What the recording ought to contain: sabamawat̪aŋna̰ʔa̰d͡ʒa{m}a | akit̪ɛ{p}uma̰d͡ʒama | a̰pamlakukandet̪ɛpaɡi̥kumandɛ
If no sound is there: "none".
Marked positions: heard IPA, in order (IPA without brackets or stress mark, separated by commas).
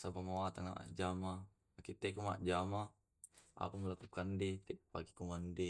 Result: m, k